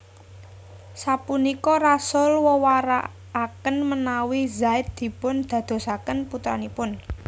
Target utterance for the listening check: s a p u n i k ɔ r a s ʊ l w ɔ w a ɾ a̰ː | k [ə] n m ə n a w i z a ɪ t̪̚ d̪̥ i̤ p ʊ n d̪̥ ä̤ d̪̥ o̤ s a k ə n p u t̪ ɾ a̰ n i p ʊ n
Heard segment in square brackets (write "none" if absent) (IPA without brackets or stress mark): ə